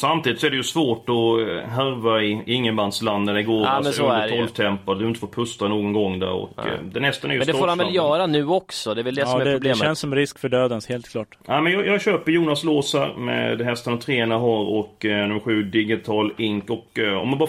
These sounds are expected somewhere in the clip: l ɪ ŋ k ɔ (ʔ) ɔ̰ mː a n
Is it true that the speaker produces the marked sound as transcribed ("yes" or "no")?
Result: no